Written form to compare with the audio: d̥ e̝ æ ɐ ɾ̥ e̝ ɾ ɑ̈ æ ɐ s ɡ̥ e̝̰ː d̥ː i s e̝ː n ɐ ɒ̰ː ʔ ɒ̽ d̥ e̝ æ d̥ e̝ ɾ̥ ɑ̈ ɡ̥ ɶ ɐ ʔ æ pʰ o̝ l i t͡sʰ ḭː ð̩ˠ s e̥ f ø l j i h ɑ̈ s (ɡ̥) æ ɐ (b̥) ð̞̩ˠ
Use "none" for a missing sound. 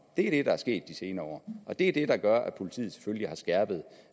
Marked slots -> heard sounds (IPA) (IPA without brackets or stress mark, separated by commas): ɡ̥, b̥